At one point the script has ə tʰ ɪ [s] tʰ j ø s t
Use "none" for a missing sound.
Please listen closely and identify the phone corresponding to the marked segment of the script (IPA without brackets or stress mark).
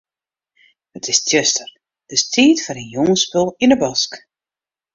s